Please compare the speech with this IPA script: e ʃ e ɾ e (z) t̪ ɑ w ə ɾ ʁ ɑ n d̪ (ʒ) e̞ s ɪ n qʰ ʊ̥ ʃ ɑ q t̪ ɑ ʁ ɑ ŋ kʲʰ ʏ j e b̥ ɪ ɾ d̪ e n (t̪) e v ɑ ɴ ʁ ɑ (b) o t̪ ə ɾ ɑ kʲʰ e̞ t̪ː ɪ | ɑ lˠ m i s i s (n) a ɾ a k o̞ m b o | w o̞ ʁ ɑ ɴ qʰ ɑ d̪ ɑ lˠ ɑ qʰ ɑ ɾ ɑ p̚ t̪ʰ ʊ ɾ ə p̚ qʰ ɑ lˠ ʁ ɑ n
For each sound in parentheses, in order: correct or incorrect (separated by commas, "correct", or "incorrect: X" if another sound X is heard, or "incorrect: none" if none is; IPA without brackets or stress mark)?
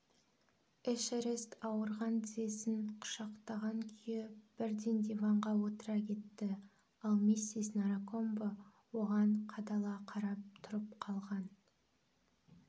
incorrect: s, incorrect: z, incorrect: d̪, incorrect: w, correct